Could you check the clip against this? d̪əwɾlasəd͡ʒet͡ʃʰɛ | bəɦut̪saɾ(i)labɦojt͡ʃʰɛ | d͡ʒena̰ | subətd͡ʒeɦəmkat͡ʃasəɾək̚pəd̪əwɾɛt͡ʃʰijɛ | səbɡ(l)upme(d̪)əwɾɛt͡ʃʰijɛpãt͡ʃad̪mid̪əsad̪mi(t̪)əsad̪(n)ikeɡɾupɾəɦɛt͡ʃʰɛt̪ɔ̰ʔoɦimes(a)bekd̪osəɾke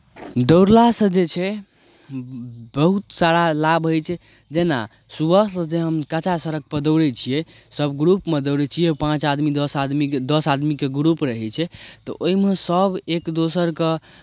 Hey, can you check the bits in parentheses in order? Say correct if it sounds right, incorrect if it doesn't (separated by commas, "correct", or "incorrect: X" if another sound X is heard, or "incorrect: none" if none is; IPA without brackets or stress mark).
incorrect: a, incorrect: ɾ, correct, incorrect: d̪, incorrect: m, incorrect: ə